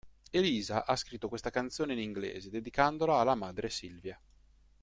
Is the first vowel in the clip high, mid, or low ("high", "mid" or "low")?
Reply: mid